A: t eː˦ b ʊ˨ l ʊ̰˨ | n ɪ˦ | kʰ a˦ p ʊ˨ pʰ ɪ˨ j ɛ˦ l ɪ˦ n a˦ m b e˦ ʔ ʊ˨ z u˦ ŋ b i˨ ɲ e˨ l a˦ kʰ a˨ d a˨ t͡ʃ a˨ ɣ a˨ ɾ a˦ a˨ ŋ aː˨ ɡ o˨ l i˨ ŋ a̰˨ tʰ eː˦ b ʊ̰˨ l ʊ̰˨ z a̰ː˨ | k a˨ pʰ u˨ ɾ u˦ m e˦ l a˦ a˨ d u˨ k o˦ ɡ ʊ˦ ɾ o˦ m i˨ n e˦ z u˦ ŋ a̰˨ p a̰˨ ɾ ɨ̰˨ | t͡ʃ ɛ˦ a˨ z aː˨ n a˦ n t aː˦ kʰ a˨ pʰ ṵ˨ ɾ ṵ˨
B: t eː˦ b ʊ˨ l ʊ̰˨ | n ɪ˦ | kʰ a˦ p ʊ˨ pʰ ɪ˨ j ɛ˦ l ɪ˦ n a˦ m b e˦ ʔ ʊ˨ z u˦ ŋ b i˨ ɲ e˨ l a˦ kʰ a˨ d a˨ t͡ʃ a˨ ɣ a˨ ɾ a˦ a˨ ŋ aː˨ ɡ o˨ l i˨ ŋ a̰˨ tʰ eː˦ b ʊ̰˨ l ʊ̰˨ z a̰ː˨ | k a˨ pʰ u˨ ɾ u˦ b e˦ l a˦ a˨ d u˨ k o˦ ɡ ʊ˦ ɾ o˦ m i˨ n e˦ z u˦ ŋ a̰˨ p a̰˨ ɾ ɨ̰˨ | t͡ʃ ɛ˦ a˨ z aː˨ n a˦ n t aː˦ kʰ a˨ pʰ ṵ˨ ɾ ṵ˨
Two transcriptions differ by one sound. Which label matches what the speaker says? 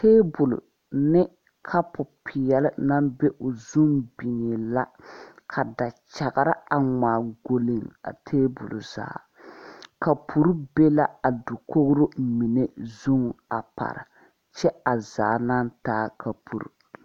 B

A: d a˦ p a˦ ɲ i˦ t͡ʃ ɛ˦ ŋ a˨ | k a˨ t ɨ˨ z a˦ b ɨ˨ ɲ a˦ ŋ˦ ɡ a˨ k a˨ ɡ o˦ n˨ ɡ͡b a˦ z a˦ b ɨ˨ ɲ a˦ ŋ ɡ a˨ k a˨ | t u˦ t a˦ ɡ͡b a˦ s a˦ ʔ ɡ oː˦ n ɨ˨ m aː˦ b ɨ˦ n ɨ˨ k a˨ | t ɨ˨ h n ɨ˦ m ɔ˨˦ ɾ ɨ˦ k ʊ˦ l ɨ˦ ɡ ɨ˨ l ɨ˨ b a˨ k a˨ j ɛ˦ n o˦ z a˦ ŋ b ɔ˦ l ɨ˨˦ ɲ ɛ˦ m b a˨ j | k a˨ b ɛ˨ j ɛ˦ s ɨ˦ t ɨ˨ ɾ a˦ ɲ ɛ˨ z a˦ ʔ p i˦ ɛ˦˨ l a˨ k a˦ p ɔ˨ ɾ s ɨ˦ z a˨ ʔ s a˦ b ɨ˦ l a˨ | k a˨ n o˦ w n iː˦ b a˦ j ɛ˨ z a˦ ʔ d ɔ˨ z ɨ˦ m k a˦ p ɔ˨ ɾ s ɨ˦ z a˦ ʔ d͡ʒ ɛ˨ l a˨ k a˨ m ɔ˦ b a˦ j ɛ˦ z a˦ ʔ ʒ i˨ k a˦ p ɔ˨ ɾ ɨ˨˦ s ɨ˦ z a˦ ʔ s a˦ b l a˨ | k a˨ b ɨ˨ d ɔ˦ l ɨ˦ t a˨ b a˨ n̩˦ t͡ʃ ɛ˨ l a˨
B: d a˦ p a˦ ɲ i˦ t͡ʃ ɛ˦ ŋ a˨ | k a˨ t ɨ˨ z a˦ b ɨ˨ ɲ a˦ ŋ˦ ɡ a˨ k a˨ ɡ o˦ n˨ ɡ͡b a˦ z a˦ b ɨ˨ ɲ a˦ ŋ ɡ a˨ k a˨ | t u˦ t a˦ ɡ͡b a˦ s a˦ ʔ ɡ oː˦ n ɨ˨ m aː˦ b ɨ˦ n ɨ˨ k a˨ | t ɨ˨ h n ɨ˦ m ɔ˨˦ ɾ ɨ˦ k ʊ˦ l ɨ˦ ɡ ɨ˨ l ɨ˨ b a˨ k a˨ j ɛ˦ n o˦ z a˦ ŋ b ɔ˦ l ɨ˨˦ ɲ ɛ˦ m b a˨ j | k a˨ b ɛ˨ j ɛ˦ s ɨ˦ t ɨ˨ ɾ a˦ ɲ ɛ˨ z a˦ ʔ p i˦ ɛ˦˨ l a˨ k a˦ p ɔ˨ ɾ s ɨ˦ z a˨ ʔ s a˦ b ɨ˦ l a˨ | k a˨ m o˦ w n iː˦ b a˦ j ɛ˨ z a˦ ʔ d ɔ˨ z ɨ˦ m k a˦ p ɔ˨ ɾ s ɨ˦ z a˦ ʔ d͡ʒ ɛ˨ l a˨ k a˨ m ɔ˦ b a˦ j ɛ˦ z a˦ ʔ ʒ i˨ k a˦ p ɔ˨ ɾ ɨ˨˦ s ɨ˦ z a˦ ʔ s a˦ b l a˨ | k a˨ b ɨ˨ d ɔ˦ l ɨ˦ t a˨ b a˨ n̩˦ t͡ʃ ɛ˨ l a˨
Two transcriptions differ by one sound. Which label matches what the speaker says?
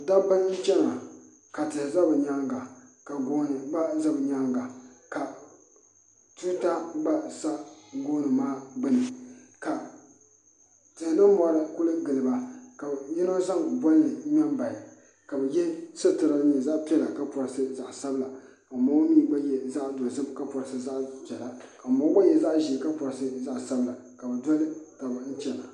B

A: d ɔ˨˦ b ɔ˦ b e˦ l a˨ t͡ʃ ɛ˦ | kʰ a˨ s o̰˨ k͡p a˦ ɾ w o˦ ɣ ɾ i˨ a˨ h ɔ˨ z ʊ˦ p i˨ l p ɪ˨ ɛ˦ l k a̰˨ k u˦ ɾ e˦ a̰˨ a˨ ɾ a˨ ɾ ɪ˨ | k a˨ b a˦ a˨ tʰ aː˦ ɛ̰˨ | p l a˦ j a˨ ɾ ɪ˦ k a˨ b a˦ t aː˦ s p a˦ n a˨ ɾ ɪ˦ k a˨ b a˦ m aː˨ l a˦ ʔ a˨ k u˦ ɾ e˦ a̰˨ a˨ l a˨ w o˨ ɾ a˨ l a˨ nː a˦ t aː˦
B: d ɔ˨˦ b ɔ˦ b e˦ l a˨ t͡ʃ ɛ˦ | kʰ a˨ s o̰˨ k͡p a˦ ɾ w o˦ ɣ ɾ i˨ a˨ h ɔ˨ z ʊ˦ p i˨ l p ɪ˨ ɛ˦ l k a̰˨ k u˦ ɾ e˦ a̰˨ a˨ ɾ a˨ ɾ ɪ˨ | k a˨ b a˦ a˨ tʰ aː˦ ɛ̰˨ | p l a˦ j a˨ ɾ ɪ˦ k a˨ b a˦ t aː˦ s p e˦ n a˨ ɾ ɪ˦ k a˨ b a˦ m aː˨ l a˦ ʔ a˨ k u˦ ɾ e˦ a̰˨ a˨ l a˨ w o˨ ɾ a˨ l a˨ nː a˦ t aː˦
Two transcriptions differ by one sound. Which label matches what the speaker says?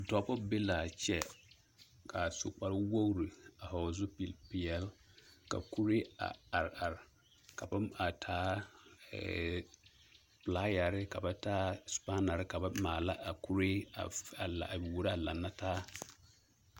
A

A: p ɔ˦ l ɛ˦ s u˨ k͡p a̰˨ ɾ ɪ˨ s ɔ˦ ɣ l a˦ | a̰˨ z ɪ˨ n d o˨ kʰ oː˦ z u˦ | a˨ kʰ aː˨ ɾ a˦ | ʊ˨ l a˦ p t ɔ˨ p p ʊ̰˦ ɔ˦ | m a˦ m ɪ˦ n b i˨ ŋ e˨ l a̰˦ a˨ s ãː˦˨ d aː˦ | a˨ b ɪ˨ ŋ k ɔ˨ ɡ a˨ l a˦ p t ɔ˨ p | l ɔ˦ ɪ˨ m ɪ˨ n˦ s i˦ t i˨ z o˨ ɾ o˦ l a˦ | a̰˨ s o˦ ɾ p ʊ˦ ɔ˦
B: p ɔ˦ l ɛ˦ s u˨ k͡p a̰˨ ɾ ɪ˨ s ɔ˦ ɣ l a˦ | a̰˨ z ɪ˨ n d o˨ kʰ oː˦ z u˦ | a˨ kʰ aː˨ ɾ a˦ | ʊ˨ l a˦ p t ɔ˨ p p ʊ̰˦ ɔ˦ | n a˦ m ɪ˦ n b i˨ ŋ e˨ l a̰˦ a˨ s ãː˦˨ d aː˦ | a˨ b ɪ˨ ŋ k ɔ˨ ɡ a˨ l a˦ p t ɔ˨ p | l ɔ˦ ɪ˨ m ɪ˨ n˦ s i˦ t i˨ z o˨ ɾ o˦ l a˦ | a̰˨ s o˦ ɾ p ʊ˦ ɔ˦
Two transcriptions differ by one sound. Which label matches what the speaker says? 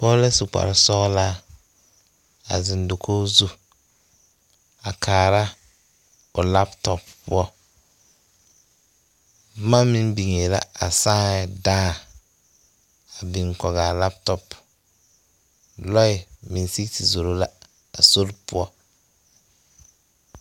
A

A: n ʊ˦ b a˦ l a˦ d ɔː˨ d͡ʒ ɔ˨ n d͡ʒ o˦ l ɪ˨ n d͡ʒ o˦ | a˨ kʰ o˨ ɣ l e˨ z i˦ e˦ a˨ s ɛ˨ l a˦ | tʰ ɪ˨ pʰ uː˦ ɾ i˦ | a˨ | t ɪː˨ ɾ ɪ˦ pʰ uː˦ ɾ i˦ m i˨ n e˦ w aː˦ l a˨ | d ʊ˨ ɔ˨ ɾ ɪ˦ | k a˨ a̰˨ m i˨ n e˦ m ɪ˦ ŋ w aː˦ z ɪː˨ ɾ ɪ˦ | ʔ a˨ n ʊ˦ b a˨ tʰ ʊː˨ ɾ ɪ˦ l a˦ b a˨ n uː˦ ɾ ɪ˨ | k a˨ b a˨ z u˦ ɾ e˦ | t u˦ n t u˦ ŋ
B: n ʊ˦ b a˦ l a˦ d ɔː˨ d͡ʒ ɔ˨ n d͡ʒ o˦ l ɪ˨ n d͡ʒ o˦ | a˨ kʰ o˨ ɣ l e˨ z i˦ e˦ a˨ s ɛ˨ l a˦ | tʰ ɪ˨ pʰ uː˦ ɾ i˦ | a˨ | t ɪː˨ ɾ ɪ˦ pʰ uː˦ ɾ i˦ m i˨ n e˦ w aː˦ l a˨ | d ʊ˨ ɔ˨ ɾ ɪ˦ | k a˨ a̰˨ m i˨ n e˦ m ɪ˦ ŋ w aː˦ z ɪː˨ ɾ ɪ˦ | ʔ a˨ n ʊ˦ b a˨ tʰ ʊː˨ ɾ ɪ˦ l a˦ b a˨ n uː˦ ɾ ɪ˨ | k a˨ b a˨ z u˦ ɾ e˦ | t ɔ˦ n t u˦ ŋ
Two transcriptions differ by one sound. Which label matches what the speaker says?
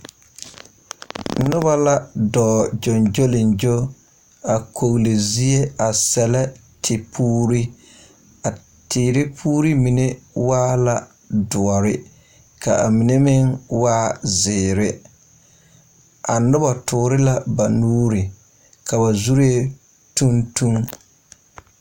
A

